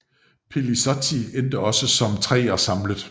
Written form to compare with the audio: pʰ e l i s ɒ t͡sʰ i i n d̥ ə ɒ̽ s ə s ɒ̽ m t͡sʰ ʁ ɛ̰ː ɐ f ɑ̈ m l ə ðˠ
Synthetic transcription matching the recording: pʰ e l i s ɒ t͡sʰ i e n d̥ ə ɒ̽ s ə s ɒ̽ m t͡sʰ ʁ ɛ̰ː ɐ s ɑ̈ m l ə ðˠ